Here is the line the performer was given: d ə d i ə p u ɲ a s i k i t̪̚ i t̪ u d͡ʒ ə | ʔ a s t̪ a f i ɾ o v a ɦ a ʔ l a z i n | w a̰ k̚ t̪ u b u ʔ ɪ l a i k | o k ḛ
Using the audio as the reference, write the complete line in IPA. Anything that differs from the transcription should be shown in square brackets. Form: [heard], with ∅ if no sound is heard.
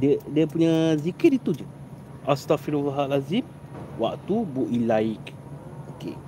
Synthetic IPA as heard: d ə d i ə p u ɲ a [z] i k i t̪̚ i t̪ u d͡ʒ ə | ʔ a s t̪ a f i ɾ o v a ɦ a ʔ l a z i [m] | w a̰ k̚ t̪ u b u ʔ [i] l a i k | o k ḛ